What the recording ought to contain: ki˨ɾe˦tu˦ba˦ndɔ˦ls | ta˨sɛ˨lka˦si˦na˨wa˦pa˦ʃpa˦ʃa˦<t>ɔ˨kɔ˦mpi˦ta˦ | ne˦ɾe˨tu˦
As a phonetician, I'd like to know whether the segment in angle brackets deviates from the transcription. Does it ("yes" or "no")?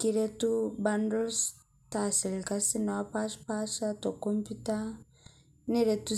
no